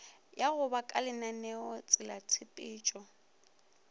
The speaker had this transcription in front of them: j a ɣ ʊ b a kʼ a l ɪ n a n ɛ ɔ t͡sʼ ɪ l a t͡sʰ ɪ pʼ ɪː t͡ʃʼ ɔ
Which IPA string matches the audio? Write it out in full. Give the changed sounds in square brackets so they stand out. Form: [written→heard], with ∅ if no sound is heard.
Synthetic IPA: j a ɣ ʊ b a kʼ a l ɪ n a n ɛ ɔ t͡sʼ ɪ l a t͡sʰ ɪ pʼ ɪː t͡ʃʼ ɔ